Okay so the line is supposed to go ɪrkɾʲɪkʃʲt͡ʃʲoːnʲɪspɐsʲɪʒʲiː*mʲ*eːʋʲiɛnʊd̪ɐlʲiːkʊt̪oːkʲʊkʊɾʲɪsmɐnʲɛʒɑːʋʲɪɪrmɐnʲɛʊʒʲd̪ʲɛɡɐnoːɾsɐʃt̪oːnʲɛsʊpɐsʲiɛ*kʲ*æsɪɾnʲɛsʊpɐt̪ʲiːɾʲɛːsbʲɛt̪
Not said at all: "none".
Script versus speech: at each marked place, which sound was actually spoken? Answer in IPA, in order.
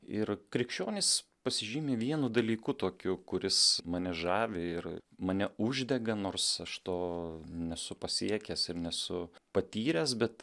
mʲ, kʲ

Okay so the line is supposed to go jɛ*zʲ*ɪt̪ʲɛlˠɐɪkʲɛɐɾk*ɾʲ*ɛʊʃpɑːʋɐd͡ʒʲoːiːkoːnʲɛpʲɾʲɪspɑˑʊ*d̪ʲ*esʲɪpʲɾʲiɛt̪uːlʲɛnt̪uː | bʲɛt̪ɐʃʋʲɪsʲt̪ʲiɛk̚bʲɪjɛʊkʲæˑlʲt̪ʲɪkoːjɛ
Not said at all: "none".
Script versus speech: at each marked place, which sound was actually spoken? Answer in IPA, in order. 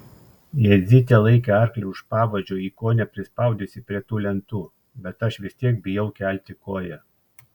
zʲ, lʲ, d̪ʲ

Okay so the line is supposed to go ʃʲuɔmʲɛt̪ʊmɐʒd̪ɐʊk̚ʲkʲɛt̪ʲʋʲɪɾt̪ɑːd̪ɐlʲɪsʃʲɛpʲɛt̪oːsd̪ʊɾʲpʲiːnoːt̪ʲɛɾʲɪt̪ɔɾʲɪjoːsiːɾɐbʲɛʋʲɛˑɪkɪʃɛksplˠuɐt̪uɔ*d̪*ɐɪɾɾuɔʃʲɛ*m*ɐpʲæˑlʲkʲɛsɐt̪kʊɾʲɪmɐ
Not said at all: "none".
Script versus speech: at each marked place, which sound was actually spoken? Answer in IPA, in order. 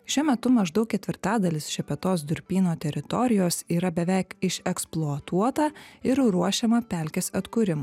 t̪, m

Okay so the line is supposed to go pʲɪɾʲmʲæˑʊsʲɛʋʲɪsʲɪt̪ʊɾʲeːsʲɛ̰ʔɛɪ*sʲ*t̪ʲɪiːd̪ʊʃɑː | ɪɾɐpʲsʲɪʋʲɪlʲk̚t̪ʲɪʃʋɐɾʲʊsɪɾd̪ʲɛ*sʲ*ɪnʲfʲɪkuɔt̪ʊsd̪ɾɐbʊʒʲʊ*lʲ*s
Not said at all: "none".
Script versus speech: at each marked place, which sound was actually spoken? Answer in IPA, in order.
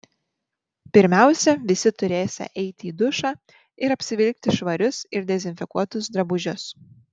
none, zʲ, none

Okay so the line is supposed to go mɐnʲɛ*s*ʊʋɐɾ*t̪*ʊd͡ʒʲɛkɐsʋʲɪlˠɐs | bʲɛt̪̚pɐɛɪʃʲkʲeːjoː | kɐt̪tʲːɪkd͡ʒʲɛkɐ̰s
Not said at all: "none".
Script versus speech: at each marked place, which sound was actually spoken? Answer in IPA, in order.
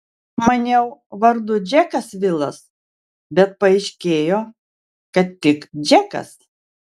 none, d̪

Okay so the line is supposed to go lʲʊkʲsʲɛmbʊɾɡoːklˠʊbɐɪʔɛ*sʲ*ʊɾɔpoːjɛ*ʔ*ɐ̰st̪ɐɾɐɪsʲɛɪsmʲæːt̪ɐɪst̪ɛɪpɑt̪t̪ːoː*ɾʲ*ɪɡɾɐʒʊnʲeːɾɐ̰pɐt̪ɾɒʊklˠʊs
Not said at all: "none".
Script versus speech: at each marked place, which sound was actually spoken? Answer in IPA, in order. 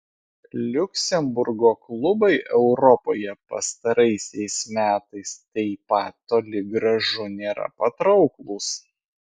none, p, lʲ

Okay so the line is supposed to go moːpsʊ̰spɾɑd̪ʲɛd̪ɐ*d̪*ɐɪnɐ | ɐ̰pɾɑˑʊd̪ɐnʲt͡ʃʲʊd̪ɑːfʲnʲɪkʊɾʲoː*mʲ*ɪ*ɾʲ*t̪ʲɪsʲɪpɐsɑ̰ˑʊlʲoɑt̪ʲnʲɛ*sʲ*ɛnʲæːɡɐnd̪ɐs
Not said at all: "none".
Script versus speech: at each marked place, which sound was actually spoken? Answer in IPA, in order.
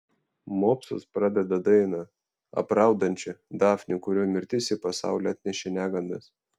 d̪, mʲ, ɾʲ, ʃʲ

